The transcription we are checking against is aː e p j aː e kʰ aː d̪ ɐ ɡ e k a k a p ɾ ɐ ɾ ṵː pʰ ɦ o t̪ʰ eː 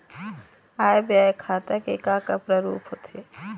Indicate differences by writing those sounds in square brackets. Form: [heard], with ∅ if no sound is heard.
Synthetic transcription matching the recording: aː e [b] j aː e kʰ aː [t̪] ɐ [k] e k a k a p ɾ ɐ ɾ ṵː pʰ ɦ o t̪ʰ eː